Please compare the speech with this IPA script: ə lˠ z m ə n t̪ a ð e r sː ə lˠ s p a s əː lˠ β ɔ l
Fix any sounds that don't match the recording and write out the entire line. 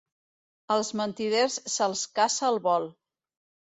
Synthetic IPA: ə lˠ z m ə n t̪ i ð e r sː ə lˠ s k a s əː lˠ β ɔ l